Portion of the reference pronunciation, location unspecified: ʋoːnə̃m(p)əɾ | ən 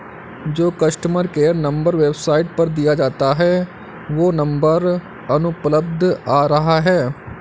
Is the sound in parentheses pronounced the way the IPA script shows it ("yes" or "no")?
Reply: no